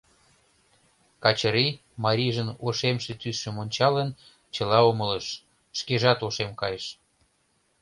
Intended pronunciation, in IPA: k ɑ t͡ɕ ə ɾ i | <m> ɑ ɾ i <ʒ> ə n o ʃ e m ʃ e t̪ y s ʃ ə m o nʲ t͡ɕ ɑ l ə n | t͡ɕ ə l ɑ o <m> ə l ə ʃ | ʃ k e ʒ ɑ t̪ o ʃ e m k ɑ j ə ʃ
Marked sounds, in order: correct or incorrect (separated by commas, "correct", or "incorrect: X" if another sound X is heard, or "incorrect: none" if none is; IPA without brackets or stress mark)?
correct, correct, correct